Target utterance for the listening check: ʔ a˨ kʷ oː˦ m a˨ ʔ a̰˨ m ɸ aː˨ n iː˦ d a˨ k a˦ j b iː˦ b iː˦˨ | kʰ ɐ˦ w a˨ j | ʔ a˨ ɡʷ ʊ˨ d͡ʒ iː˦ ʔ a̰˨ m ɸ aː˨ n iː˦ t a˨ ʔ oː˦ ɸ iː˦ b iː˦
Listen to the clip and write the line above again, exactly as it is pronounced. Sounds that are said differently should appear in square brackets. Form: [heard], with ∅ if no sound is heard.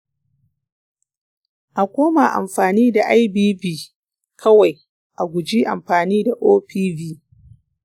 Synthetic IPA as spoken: ʔ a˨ kʷ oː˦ m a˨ ʔ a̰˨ m ɸ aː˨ n iː˦ d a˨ [ʔ] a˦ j b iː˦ b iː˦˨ | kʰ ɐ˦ w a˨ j | ʔ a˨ ɡʷ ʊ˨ d͡ʒ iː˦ ʔ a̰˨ m ɸ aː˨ n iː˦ [d] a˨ ʔ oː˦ ɸ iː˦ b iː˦